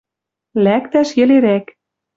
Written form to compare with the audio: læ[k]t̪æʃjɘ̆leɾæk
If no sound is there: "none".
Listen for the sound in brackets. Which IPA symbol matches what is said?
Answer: k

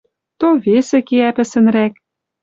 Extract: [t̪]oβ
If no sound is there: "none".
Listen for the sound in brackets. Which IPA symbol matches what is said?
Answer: t̪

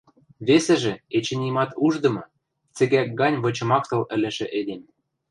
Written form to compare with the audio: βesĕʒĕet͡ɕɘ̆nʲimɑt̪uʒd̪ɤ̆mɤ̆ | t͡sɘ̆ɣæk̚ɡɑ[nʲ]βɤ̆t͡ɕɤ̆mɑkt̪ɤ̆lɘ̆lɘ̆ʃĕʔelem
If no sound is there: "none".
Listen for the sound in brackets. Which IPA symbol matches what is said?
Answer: nʲ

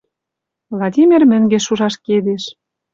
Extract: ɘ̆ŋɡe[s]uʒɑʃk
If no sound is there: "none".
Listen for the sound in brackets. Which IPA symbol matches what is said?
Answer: ʃ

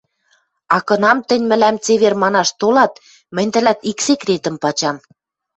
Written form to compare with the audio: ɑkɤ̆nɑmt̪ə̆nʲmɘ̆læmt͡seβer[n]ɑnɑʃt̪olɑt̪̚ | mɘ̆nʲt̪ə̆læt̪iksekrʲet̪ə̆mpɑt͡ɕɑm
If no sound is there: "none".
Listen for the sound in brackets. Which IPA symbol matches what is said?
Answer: m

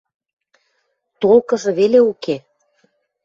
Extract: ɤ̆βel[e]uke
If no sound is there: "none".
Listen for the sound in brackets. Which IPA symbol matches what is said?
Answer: e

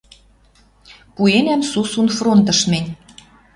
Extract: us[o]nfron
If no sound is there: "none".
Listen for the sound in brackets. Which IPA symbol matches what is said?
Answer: u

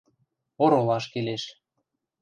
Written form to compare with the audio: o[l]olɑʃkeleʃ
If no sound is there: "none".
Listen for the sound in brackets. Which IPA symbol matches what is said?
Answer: ɾ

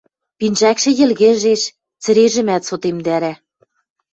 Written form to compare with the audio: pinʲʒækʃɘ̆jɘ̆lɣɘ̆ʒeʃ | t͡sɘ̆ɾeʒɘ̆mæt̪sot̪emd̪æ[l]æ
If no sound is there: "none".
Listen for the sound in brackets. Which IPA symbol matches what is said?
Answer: ɾ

